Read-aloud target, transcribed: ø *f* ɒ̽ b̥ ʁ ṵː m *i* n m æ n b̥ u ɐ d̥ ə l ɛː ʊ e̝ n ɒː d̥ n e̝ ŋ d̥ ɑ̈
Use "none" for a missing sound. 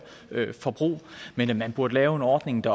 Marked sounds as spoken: f, e

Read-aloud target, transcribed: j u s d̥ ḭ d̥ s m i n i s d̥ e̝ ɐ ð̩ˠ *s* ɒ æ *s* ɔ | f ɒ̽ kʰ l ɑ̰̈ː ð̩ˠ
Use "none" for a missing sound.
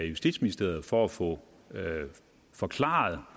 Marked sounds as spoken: f, f

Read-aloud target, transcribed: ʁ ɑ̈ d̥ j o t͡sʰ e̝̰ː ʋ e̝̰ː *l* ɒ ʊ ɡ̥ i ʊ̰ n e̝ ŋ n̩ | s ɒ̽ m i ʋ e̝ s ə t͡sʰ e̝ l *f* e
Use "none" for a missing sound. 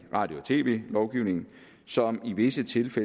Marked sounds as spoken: l, f

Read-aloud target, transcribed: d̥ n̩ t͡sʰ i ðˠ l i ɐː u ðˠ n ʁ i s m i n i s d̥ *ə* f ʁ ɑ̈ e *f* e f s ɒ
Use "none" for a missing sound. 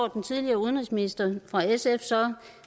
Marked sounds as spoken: ɐ, s

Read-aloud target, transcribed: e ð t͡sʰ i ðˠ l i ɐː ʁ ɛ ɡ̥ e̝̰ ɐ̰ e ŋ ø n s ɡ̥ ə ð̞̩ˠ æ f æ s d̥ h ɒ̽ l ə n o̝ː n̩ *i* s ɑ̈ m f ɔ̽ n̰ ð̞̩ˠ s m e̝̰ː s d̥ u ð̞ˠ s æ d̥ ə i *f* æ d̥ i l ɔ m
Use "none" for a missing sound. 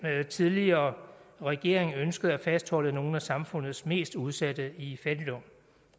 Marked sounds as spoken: æ, f

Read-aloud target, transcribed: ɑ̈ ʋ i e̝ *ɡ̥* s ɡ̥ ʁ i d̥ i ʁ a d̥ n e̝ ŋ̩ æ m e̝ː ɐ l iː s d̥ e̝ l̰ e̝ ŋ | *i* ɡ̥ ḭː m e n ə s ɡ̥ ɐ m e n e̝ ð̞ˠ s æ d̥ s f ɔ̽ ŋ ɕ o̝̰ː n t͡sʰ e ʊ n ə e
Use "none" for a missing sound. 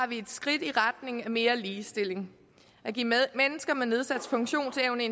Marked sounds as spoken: d̥, æ

